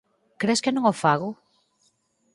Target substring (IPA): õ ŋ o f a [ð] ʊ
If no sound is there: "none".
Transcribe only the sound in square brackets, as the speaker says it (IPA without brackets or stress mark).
ɣ